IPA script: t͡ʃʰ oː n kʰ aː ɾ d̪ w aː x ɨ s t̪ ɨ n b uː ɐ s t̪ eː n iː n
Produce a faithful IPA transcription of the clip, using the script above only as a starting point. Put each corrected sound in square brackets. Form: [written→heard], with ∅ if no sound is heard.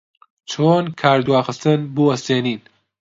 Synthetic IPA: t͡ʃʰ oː n kʰ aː ɾ d̪ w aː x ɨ s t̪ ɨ n b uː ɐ s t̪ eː n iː n